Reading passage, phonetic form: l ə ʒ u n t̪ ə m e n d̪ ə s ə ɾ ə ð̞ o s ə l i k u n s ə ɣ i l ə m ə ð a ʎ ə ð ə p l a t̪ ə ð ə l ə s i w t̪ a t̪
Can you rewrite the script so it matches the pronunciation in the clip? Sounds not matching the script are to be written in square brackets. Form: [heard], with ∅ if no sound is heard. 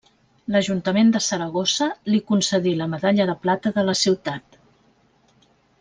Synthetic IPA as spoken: l ə ʒ u n t̪ ə m e n d̪ ə s ə ɾ ə [ɣ̞] o s ə l i k u n s ə [ð] i l ə m ə ð a ʎ ə ð ə p l a t̪ ə ð ə l ə s i w t̪ a t̪